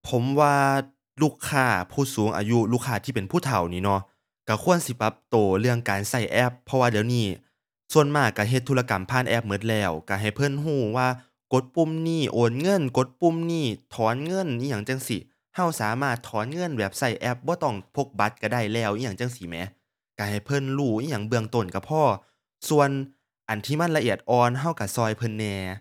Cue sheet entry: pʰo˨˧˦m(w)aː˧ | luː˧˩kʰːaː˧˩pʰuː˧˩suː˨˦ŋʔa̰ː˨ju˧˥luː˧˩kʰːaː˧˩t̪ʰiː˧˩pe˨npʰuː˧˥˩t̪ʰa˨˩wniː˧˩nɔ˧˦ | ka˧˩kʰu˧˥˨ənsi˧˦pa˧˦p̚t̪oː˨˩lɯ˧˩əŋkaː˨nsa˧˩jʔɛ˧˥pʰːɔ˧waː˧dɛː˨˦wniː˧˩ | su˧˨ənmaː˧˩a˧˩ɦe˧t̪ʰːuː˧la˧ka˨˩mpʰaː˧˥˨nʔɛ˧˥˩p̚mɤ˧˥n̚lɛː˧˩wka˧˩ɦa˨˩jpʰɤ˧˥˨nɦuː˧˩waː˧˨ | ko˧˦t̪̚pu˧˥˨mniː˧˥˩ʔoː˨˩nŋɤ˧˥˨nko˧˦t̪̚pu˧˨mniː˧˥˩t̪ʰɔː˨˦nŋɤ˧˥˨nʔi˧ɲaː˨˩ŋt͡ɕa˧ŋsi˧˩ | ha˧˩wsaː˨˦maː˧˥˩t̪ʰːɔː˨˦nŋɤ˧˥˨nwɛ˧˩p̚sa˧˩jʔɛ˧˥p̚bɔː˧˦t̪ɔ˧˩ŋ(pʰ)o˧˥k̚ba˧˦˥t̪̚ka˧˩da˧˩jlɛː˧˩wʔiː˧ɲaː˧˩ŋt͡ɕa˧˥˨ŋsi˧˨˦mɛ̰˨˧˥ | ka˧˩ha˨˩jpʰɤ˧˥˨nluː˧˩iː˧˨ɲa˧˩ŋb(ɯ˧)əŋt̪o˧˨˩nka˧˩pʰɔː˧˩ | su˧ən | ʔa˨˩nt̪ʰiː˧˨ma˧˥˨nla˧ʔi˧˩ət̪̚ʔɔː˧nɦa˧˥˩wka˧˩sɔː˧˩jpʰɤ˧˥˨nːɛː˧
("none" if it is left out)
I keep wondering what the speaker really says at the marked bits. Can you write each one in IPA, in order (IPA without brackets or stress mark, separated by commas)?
w, pʰ, ɯ˧